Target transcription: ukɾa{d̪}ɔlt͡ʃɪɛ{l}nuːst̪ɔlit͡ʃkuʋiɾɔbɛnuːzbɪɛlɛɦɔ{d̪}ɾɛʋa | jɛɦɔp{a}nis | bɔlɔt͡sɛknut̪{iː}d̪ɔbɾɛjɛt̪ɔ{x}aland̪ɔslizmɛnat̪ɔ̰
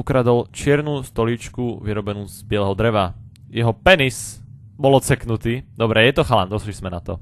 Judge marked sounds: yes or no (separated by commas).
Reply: yes, no, yes, no, yes, yes